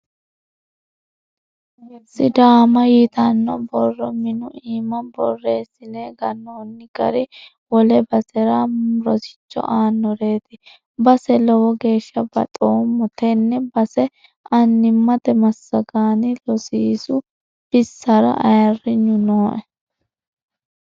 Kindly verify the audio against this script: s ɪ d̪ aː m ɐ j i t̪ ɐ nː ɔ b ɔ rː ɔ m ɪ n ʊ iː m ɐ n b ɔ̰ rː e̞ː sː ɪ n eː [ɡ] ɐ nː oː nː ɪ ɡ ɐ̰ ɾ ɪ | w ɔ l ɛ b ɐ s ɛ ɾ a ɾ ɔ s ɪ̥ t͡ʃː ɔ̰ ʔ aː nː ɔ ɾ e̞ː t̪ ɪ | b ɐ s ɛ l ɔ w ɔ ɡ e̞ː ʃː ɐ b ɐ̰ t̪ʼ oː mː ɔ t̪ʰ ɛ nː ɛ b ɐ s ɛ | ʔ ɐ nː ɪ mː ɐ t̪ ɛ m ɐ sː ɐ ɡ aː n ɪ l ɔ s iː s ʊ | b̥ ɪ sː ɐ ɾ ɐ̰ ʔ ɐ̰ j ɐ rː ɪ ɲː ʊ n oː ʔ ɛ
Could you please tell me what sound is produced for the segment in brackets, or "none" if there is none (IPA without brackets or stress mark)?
ɡ